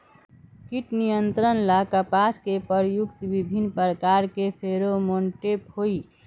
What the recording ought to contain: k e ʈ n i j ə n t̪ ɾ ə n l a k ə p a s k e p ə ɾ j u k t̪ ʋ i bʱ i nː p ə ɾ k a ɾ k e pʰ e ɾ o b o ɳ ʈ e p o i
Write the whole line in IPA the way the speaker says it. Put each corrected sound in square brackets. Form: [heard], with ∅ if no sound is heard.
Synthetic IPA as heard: k [i] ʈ n i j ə n t̪ ɾ ə n l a k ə p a s k e p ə ɾ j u k t̪ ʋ i bʱ i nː p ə ɾ k a ɾ k e pʰ e ɾ o [m] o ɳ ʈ e p o i